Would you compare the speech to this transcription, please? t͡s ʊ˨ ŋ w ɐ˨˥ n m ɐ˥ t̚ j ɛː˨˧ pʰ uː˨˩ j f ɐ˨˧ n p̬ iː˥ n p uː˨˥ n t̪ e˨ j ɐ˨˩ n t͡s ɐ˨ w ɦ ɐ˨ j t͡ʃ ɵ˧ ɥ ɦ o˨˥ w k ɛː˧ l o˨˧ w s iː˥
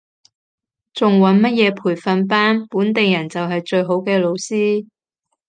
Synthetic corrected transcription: t͡s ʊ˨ ŋ w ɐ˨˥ n m ɐ˥ t̚ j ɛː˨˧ pʰ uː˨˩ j f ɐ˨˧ n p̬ aː˥ n p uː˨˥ n t̪ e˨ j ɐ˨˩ n t͡s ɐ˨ w ɦ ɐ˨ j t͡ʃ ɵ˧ ɥ ɦ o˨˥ w k ɛː˧ l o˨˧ w s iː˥

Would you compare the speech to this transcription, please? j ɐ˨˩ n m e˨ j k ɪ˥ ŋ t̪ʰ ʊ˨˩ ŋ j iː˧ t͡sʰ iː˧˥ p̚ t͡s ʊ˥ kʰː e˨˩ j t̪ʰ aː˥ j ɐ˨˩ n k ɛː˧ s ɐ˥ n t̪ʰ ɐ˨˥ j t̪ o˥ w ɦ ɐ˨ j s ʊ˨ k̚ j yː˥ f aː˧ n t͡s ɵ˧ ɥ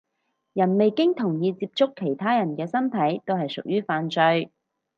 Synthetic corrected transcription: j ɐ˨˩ n m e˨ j k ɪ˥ ŋ t̪ʰ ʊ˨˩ ŋ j iː˧ t͡s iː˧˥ p̚ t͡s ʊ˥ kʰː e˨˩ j t̪ʰ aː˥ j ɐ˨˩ n k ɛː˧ s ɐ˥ n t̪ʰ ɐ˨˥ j t̪ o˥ w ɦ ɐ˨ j s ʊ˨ k̚ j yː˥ f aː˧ n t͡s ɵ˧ ɥ

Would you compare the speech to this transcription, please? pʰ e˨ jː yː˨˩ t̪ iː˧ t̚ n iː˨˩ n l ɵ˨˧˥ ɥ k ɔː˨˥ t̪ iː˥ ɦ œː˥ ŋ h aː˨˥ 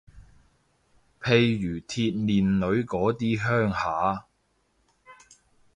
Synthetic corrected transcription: pʰ e˨ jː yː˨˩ t̪ʰ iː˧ t̚ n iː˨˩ n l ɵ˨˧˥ ɥ k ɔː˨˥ t̪ iː˥ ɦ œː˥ ŋ h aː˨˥

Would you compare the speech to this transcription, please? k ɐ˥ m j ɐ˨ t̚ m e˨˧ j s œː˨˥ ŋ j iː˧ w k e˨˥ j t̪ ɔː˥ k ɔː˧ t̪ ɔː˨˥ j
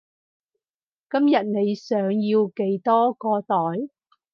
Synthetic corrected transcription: k ɐ˥ m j ɐ˨ t̚ n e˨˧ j s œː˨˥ ŋ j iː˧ w k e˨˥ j t̪ ɔː˥ k ɔː˧ t̪ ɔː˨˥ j

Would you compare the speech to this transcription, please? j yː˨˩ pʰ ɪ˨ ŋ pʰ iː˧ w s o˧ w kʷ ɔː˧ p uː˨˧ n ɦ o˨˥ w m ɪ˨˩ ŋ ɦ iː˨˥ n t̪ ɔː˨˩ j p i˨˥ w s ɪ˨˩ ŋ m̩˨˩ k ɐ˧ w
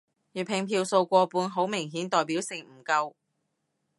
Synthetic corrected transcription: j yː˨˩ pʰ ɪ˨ ŋ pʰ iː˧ w s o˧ w kʷ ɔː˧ p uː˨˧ n ɦ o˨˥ w m ɪ˨˩ ŋ ɦ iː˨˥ n t̪ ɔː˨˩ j p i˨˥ w s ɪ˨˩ ŋ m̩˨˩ k ɐ˧ w

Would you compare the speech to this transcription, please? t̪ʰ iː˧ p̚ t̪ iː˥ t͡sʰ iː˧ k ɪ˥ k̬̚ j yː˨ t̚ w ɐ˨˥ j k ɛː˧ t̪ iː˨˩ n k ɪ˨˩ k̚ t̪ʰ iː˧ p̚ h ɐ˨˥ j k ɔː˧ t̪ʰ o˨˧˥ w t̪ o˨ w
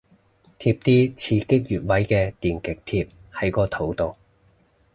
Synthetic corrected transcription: t̪ʰ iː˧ p̚ t̪ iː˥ t͡sʰ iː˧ k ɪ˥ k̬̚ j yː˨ t̚ w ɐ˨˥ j k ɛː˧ t̪ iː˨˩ n k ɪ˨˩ k̚ t̪ʰ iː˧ p̚ h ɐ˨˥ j k ɔː˧ t̪ʰ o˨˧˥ w t̪ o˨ w

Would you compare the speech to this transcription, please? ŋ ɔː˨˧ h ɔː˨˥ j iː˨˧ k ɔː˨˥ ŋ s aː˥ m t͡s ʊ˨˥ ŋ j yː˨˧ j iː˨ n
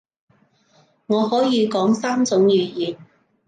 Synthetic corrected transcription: ŋ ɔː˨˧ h ɔː˨˥ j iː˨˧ k ɔː˨˥ ŋ s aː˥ m t͡s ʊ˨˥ ŋ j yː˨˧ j iː˨ n

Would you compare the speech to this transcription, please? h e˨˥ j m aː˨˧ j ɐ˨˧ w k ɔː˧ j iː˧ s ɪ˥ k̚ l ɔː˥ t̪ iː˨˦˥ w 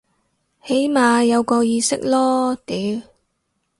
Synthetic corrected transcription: h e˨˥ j m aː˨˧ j ɐ˨˧ w k ɔː˧ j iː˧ s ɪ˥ k̚ l ɔː˥ t̪ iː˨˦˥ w

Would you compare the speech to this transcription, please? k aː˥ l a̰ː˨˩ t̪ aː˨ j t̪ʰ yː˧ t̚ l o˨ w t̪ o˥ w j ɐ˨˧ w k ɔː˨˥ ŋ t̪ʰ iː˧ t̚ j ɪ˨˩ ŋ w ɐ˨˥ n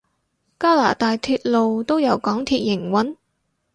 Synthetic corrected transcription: k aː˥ l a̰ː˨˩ t̪ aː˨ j t̪ʰ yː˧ t̚ l o˨ w t̪ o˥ w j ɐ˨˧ w k ɔː˨˥ ŋ t̪ʰ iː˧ t̚ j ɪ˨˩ ŋ w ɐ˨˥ n

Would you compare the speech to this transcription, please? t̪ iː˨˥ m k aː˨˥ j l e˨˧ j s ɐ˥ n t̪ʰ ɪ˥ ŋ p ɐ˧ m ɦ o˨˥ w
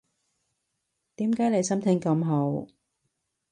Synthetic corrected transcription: t̪ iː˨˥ m k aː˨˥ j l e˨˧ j s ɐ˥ m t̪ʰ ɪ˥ ŋ k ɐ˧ m ɦ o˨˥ w

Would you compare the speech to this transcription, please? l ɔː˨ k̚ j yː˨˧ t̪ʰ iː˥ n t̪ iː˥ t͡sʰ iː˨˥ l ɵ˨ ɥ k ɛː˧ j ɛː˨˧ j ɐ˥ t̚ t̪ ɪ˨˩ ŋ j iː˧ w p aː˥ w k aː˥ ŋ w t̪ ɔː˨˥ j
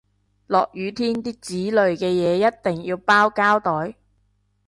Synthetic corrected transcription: l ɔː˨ k̚ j yː˨˧ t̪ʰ iː˥ n t̪ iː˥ t͡s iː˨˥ l ɵ˨ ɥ k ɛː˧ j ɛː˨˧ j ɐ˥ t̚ t̪ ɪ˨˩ ŋ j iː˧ w p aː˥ w k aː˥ w t̪ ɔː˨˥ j

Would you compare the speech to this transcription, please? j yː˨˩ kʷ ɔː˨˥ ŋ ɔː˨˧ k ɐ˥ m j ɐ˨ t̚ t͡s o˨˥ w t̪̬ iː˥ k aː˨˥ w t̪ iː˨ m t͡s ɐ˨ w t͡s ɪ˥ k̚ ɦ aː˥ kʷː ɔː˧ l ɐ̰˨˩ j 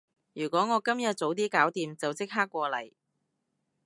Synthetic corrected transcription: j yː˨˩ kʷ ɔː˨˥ ŋ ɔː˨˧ k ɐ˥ m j ɐ˨ t̚ t͡s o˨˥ w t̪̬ iː˥ k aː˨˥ w t̪ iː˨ m t͡s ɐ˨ w t͡s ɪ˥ k̚ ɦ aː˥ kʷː ɔː˧ l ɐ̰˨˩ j

